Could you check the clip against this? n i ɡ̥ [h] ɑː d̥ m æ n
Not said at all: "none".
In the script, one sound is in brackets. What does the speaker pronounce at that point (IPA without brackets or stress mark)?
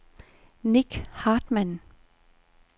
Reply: h